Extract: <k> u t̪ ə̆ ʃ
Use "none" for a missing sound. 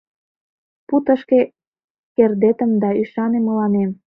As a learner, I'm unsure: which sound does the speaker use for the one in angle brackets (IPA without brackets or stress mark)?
p